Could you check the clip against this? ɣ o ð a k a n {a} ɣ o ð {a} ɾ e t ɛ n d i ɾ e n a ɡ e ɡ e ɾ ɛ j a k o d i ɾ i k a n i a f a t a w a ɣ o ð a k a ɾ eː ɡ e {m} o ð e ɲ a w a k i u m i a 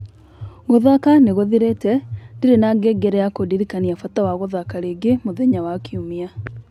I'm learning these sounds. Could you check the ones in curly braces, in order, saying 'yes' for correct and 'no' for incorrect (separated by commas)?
no, no, yes